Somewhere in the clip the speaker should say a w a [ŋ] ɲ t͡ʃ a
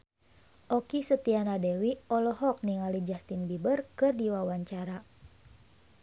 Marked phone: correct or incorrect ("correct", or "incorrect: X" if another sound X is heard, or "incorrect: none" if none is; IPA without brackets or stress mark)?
incorrect: none